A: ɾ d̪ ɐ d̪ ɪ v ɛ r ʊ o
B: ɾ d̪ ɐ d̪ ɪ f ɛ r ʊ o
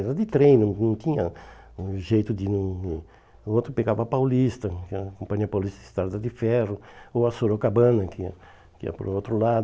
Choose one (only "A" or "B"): B